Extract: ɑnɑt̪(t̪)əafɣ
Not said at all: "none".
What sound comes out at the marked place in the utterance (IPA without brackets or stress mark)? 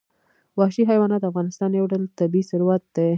d̪